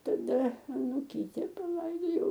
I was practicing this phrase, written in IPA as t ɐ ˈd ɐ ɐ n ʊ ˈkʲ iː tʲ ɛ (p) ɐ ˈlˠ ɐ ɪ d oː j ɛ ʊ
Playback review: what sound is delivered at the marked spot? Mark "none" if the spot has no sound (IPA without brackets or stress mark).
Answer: p